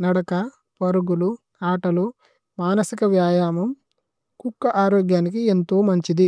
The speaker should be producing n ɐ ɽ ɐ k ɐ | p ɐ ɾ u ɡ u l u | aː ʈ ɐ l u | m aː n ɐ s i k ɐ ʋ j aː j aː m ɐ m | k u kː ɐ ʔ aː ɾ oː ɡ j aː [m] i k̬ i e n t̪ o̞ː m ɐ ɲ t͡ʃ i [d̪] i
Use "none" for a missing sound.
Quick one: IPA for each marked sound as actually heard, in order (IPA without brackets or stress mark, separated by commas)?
n, d̪